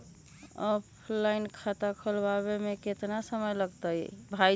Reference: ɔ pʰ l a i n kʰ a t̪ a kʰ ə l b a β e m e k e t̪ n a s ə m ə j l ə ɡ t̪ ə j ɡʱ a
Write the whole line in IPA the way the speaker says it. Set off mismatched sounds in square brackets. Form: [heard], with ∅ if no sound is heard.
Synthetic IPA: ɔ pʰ l a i n kʰ a t̪ a kʰ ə l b a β e m e k e t̪ n a s ə m ə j l ə ɡ t̪ ə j [bʱ] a